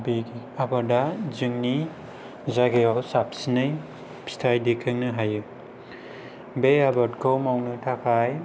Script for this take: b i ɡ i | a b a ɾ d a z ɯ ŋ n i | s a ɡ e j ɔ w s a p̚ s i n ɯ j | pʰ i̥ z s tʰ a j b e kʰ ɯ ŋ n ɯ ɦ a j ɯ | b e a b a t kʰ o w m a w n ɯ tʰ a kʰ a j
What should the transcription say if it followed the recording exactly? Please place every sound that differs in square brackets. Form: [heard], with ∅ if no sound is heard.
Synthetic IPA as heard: b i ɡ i | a b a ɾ d a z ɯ ŋ n i | [z] a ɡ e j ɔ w s a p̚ s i n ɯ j | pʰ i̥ [∅] s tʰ a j [d] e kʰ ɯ ŋ n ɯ ɦ a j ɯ | b e a b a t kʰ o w m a w n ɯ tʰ a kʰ a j